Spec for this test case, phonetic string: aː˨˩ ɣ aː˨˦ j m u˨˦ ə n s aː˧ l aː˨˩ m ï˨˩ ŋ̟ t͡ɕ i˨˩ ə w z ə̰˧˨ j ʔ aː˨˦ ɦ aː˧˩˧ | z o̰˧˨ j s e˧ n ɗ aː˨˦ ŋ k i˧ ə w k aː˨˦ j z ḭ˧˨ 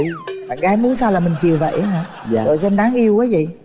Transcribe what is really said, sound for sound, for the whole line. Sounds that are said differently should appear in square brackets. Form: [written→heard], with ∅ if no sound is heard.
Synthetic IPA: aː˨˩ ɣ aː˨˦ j m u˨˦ ə n s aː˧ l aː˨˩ m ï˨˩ ŋ̟ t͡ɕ i˨˩ ə w [z→v] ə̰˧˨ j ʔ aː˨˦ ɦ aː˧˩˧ | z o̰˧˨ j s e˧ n ɗ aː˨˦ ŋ [k→ʔ] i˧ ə w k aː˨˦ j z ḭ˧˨

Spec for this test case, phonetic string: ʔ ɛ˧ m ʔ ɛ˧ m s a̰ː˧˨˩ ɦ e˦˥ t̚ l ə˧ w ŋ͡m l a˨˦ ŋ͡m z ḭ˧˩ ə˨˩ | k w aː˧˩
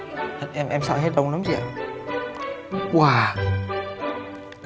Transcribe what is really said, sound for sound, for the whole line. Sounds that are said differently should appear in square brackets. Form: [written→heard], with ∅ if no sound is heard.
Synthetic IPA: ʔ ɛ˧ m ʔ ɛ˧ m s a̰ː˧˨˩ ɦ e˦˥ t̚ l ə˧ w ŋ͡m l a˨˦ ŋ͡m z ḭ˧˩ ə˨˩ | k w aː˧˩

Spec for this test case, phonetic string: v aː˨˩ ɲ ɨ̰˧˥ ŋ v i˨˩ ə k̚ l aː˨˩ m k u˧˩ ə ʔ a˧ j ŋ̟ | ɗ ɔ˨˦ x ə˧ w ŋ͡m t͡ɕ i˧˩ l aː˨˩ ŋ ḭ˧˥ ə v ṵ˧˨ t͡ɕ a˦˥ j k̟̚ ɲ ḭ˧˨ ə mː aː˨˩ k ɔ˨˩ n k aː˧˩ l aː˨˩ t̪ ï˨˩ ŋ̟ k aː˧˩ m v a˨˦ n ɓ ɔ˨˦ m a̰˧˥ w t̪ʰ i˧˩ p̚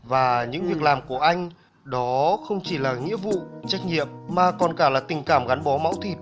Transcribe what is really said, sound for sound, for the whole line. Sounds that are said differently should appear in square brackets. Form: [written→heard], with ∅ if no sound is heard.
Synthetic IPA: v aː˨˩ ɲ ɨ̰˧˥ ŋ v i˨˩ ə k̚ l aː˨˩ m k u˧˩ ə ʔ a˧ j ŋ̟ | ɗ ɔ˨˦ x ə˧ w ŋ͡m t͡ɕ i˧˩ l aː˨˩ ŋ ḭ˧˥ ə v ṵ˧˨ t͡ɕ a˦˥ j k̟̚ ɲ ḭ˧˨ ə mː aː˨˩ k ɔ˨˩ n k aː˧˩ l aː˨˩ t̪ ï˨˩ ŋ̟ k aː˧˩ m [v→ɣ] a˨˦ n ɓ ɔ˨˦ m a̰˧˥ w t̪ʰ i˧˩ p̚

